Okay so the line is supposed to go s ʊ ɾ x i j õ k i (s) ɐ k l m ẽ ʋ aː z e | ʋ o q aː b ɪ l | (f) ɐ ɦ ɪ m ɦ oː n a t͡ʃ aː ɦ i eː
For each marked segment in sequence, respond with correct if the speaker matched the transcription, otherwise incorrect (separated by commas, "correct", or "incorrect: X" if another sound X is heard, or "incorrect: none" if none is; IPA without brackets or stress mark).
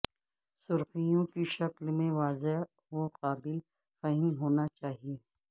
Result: incorrect: ʃ, correct